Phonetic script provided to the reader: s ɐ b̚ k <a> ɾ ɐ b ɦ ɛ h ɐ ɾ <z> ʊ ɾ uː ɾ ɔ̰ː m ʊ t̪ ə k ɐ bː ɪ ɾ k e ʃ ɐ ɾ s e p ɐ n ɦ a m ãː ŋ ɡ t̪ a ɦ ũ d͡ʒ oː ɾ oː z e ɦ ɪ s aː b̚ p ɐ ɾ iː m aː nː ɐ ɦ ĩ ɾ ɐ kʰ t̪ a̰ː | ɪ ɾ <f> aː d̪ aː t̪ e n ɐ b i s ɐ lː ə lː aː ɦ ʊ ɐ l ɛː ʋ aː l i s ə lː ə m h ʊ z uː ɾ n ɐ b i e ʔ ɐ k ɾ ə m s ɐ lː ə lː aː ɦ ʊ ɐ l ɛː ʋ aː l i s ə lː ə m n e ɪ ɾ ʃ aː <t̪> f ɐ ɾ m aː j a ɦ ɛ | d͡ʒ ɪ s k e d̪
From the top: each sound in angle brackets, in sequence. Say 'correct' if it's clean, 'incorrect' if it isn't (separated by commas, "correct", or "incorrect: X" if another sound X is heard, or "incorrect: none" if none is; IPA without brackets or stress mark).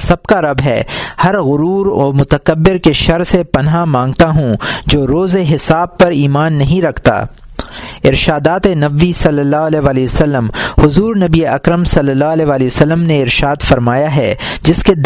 correct, incorrect: ɣ, incorrect: ʃ, incorrect: d̪